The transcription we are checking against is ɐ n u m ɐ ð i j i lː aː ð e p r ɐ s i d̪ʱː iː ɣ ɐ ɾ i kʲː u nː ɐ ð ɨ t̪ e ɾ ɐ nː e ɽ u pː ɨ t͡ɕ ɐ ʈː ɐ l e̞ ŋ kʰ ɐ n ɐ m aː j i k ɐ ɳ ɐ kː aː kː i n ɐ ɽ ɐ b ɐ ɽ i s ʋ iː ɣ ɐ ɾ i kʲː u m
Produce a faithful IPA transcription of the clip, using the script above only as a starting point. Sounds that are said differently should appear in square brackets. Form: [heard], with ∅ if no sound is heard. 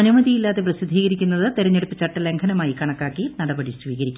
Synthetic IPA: ɐ n u m ɐ ð i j i lː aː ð e p r ɐ s i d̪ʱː iː ɣ ɐ ɾ i kʲː u nː ɐ ð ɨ t̪ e ɾ ɐ [ɲː] e ɽ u pː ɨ t͡ɕ ɐ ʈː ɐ l e̞ ŋ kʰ ɐ n ɐ m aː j i k ɐ ɳ ɐ kː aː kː i n ɐ ɽ ɐ b ɐ ɽ i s ʋ iː ɣ ɐ ɾ i kʲː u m